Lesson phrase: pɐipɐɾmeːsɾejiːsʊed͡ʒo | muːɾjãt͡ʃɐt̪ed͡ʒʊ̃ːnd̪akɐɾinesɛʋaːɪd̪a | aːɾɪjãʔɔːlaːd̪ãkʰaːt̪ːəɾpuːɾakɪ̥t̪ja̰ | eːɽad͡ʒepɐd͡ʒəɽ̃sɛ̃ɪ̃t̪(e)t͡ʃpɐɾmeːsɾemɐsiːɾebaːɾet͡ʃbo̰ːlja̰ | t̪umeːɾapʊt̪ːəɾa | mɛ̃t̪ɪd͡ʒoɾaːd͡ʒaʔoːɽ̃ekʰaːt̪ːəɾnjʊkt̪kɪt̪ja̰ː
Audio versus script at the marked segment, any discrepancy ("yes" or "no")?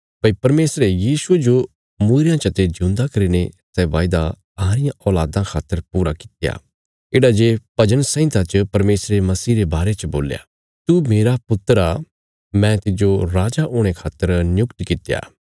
yes